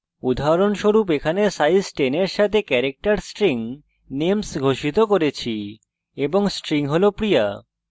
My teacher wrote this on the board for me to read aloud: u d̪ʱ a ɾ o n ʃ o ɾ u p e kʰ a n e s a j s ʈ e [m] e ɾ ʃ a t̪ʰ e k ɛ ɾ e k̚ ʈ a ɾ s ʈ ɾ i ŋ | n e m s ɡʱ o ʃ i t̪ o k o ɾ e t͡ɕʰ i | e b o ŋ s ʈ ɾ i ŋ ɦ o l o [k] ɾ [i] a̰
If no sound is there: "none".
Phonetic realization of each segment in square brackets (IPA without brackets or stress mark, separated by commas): n, p, i